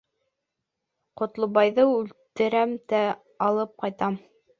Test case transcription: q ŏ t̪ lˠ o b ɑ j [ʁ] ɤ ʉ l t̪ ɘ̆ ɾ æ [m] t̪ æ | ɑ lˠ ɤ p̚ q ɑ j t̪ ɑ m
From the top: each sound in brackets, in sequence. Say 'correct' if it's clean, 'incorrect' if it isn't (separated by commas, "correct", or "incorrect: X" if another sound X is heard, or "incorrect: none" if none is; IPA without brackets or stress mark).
incorrect: ð, correct